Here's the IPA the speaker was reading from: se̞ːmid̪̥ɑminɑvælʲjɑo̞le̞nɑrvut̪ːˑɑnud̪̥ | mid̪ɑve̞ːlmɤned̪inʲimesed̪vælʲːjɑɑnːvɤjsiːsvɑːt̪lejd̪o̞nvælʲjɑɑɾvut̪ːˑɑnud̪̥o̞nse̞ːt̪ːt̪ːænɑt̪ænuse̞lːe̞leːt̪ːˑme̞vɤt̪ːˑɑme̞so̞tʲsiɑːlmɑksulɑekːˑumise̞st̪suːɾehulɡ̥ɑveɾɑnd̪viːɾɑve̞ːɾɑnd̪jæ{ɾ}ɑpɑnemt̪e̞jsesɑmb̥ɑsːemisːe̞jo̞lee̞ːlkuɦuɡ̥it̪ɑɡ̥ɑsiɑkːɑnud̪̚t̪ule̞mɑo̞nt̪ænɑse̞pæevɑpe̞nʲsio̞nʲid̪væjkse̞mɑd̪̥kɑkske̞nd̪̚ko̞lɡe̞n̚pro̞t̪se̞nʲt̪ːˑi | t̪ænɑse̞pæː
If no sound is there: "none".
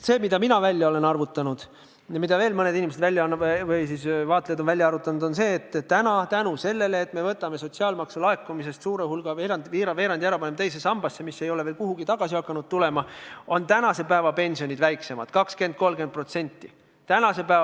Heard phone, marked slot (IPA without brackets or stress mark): ɾ